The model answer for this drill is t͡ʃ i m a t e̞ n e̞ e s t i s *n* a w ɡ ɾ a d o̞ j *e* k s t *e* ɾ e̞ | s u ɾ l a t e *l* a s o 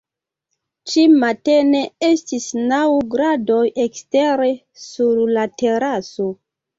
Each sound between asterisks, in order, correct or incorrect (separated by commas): correct, correct, correct, incorrect